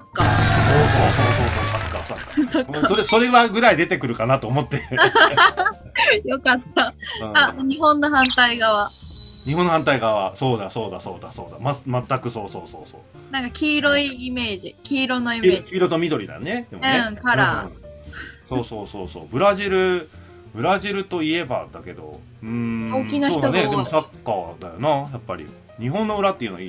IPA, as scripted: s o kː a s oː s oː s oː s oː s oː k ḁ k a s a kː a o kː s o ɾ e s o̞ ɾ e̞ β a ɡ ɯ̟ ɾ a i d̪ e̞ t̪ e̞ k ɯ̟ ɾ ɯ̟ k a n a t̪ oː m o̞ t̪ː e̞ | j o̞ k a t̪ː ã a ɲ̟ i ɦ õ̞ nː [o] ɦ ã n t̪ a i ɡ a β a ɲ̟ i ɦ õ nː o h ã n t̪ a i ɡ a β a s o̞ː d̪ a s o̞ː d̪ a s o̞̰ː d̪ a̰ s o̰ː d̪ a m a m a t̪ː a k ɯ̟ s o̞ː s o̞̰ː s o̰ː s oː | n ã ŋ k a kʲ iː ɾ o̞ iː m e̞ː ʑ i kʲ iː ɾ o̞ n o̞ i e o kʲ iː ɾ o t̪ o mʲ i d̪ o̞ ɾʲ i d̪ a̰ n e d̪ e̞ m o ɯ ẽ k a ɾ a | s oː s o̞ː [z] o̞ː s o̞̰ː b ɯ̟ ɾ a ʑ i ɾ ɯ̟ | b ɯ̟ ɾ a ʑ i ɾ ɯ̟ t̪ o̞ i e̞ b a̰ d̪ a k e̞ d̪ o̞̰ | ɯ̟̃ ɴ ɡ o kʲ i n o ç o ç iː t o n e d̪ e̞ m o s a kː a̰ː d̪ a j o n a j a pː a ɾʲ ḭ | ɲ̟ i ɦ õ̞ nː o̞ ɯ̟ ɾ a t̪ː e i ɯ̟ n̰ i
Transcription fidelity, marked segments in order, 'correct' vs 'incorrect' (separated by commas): correct, incorrect